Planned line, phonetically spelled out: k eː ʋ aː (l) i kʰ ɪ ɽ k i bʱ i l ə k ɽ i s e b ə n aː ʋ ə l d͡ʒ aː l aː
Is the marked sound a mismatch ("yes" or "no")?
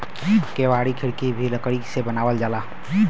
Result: yes